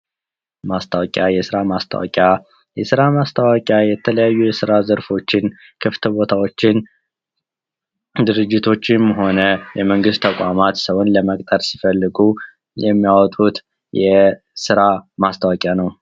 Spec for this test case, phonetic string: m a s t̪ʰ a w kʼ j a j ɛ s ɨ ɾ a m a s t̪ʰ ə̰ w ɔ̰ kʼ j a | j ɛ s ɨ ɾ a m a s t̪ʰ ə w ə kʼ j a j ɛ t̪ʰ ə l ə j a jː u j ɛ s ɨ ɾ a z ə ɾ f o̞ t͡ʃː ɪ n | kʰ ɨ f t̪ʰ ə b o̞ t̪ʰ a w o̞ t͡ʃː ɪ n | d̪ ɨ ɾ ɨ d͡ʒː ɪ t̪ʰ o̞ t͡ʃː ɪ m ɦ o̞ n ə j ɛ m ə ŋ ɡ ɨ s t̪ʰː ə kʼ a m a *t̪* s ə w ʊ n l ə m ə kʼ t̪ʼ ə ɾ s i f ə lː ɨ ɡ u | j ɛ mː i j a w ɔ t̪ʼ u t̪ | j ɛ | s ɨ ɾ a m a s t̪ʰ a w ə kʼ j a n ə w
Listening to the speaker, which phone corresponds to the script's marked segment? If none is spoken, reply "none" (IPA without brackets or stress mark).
t̪